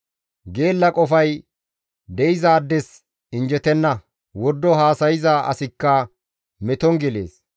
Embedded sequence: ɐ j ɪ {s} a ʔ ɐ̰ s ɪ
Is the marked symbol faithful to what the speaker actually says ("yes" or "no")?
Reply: no